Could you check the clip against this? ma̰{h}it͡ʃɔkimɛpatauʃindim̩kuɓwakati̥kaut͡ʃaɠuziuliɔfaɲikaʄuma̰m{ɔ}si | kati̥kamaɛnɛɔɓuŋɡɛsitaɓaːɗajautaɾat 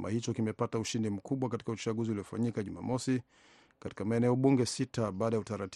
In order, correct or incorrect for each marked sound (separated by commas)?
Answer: correct, correct